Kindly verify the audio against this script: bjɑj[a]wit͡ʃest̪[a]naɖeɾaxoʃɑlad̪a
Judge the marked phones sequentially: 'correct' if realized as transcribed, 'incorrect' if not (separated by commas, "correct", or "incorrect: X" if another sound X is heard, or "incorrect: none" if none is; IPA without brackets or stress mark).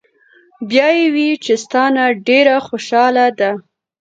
incorrect: e, incorrect: ɑ